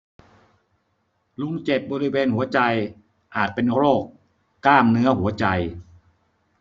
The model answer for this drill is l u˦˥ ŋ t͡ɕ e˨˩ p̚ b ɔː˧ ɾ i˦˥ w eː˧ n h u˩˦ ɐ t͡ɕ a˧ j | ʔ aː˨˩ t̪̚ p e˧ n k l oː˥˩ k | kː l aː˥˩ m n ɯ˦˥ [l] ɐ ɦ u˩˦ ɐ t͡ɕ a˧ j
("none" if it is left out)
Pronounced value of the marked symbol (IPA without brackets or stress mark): none